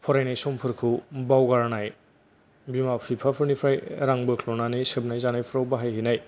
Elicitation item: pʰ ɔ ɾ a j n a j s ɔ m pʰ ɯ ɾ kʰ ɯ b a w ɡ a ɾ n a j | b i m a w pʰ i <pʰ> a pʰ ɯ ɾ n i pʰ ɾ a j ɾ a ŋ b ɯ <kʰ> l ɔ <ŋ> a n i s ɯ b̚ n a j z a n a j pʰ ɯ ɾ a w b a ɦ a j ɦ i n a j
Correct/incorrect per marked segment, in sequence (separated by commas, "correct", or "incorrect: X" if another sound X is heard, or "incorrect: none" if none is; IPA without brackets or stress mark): correct, correct, incorrect: n